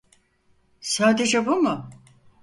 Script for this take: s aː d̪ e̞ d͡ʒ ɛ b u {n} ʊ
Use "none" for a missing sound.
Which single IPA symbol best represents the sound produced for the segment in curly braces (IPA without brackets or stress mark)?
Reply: m